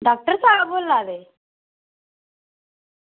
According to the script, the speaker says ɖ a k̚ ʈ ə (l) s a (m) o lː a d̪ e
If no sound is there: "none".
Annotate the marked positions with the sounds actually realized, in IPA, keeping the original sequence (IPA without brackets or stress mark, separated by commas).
ɾ, b